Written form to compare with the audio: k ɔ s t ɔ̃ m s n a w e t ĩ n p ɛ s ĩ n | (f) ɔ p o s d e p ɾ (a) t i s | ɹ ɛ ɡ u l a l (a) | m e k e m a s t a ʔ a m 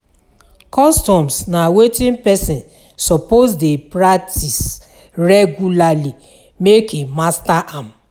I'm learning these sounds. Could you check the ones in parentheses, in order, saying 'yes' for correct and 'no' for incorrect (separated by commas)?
no, yes, no